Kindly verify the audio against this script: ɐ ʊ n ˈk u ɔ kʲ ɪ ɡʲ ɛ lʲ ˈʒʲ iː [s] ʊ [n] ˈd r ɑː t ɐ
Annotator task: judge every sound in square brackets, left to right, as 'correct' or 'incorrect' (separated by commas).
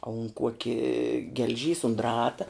correct, correct